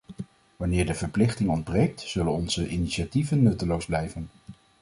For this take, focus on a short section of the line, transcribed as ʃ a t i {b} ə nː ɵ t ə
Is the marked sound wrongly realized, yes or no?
yes